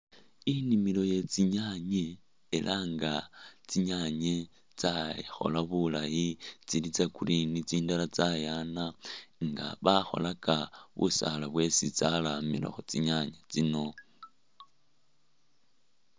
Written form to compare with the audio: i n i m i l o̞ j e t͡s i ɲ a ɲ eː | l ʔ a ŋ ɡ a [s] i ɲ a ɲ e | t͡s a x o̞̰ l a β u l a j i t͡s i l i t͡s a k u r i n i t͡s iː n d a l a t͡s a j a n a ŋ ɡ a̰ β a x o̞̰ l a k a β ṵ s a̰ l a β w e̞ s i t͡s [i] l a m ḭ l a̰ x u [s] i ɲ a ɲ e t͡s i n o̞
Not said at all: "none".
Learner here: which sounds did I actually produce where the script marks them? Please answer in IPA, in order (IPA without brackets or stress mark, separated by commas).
t͡s, a, t͡s